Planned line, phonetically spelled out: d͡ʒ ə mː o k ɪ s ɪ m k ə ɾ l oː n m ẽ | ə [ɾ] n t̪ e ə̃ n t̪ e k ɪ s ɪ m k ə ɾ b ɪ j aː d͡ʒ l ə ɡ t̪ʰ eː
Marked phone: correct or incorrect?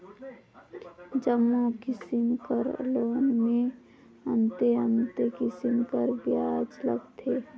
incorrect